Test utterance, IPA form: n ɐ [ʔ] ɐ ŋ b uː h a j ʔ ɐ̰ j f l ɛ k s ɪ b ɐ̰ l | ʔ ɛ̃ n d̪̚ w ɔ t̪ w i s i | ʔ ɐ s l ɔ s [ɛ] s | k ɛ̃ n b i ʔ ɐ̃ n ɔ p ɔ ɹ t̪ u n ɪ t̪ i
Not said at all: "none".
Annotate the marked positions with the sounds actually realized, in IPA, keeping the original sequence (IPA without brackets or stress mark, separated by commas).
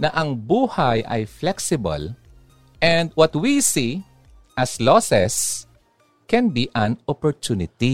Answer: ʔ, ɛ